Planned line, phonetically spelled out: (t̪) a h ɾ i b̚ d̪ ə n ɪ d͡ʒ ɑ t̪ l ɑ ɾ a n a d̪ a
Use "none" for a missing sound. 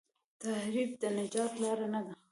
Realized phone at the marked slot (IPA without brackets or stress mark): t̪